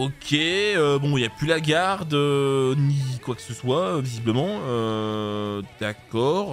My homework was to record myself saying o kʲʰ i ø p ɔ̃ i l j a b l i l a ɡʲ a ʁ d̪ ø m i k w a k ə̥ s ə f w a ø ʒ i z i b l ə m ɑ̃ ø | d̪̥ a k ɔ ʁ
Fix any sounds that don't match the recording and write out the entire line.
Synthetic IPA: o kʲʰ e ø b ɔ̃ i l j a p l y l a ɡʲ a ʁ d̪ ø n i k w a k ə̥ s ə s w a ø v i z i b l ə m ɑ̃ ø | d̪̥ a k ɔ ʁ